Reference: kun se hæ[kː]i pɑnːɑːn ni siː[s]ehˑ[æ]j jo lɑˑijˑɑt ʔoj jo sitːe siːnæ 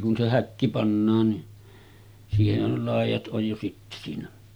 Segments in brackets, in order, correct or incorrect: correct, incorrect: h, correct

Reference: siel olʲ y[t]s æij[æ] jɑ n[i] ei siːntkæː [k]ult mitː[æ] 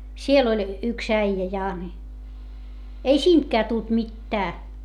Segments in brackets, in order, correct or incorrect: incorrect: k, correct, correct, incorrect: t, incorrect: æː

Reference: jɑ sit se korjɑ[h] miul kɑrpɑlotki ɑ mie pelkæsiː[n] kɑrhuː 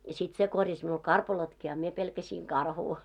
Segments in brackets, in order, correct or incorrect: incorrect: s, incorrect: ŋ

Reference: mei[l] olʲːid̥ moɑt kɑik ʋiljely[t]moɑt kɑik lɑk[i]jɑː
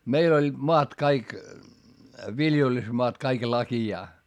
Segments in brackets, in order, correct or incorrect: correct, incorrect: s, correct

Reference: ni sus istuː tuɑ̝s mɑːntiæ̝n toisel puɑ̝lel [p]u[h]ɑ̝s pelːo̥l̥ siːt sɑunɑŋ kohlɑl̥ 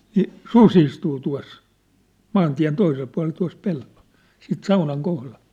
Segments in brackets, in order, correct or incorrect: incorrect: t, incorrect: none

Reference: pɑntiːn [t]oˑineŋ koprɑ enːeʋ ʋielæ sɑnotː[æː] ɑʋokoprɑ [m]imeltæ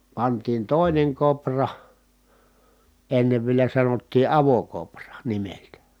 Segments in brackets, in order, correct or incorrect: correct, incorrect: iː, incorrect: n

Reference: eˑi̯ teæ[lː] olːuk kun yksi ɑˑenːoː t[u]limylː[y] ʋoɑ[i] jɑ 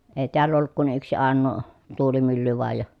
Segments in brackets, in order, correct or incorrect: correct, incorrect: uː, correct, incorrect: j

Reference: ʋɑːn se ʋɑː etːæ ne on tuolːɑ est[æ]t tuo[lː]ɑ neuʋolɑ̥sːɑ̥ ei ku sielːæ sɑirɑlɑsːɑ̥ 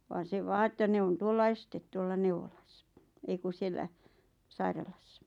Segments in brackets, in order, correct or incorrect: incorrect: e, correct

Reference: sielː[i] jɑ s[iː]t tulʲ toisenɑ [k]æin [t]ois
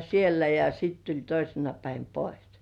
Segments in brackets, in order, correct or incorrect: incorrect: æ, incorrect: i, incorrect: p, incorrect: p

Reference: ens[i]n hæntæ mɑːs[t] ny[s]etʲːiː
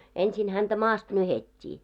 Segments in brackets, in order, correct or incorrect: correct, correct, incorrect: h

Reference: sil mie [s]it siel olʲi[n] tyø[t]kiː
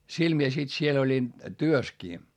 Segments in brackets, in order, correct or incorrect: correct, correct, incorrect: s

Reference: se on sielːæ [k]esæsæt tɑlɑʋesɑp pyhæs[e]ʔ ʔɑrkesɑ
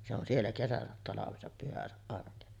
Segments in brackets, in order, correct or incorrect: correct, incorrect: æ

